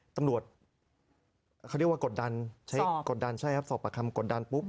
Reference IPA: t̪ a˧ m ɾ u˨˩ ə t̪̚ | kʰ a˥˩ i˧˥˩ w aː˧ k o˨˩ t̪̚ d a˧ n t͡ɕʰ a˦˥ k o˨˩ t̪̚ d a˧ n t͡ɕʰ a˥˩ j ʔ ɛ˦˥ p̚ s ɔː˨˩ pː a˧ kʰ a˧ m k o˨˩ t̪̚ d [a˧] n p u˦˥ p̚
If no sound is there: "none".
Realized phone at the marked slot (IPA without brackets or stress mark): a˧